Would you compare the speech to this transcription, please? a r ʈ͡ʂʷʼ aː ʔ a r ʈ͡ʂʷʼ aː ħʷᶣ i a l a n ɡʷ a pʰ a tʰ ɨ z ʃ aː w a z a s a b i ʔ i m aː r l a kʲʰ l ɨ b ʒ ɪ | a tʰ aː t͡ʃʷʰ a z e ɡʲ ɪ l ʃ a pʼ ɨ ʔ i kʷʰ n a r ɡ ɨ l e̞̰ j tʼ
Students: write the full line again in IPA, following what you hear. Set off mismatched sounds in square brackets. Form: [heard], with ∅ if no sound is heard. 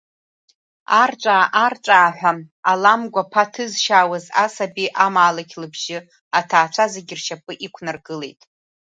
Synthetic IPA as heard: a r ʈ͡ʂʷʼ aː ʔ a r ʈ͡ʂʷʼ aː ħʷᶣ [a] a l a [m] ɡʷ a pʰ a tʰ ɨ z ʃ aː w a z a s a b i ʔ [a] m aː [∅] l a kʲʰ l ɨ b ʒ ɪ | a tʰ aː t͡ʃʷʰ a z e ɡʲ ɪ [r] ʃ a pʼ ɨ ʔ i kʷʰ n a r ɡ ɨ l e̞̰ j tʼ